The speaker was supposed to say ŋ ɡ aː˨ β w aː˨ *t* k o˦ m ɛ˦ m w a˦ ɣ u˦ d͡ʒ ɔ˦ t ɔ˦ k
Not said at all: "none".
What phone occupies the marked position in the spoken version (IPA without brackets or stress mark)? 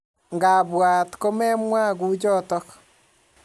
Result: t